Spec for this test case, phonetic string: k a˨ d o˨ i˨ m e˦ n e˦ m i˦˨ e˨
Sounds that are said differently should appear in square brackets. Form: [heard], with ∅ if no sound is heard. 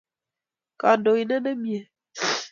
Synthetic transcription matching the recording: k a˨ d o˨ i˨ [n] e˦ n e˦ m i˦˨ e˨